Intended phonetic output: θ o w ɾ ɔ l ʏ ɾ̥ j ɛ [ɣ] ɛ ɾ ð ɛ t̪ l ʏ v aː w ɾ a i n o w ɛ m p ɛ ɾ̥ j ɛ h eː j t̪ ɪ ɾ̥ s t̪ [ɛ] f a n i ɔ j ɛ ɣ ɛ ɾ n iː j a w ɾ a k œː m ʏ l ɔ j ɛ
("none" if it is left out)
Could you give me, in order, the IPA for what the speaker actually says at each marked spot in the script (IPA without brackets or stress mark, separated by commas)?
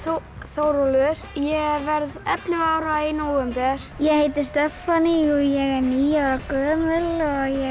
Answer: v, ɛ